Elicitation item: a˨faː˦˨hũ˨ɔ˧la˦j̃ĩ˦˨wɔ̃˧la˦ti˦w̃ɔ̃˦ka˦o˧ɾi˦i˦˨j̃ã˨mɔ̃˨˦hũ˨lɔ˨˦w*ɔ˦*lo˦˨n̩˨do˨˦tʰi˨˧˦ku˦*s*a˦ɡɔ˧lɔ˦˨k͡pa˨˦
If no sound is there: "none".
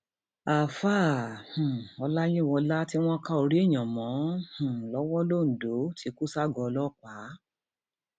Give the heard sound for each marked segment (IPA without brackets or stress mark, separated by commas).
ɔ˦, s